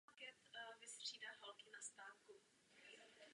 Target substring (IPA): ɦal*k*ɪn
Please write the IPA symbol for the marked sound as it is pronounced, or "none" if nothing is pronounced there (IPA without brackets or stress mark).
k